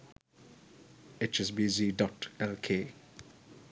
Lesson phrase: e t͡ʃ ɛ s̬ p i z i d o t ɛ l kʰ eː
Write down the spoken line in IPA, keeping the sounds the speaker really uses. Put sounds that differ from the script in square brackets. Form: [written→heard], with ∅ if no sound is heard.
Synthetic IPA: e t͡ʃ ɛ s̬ [p→b] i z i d [o→ɔ] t ɛ l kʰ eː

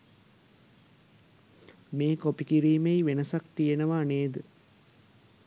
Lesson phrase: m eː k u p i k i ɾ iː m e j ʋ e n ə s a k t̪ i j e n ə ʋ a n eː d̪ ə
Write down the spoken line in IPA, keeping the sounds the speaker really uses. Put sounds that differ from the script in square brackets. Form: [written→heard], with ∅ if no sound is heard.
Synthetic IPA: m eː k [u→o] p i k i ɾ iː m e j ʋ e n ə s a k t̪ i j e n ə ʋ a n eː d̪ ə

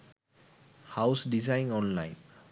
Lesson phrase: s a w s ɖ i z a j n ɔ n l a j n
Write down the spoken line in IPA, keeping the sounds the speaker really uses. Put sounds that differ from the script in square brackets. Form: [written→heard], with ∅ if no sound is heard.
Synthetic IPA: [s→h] a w s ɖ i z a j n ɔ n l a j n

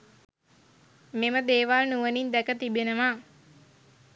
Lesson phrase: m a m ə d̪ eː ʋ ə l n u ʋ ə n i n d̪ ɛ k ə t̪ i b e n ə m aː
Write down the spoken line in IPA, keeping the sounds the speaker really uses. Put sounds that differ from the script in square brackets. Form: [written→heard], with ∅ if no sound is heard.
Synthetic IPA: m [a→e] m ə d̪ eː ʋ [ə→a] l n u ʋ ə n i n d̪ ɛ k ə t̪ i b e n ə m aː

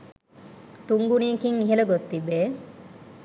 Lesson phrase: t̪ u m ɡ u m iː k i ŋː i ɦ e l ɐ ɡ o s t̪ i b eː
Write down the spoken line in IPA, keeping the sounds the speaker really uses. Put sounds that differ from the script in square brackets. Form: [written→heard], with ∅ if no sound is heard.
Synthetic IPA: t̪ u [m→ŋ] ɡ u [m→n] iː k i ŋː i ɦ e l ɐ ɡ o s t̪ i b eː

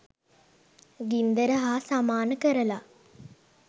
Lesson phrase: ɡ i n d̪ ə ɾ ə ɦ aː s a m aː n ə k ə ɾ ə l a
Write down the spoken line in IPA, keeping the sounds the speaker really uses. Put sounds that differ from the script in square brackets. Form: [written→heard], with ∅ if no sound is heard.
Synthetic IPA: ɡ i n d̪ ə ɾ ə ɦ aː s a m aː n ə k ə ɾ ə l a

